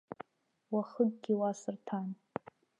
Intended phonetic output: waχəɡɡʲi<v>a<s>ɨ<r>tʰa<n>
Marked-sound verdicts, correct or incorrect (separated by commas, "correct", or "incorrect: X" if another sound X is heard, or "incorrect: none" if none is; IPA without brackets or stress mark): incorrect: w, correct, correct, correct